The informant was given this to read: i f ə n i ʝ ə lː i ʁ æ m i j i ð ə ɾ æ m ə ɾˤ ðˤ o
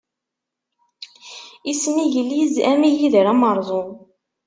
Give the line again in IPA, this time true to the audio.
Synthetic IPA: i s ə n i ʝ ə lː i z æ m i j i ð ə ɾ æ m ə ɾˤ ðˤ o

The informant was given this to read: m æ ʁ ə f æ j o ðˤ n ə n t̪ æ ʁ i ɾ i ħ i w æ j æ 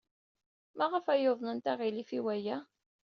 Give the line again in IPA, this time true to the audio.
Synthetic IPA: m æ ʁ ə f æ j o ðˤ n ə n t̪ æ ʁ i l i f i w æ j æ

